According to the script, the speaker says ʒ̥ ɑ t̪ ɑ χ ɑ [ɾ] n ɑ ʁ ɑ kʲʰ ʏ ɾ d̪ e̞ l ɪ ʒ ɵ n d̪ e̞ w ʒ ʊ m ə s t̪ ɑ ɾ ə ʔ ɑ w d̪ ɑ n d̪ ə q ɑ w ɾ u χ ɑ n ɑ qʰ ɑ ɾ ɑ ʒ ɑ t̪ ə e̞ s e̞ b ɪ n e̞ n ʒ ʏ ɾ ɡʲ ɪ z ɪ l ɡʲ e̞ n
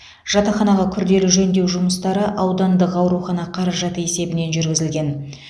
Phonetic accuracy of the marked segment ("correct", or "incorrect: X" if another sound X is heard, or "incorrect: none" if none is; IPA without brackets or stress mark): incorrect: none